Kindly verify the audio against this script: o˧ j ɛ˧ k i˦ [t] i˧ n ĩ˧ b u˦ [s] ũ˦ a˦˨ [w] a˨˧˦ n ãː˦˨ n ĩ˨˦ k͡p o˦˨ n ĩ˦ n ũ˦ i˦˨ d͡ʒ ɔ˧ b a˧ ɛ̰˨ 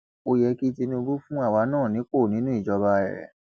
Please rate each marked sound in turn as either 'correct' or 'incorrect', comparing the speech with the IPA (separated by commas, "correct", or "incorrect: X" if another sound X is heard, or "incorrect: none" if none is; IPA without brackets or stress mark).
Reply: correct, incorrect: f, correct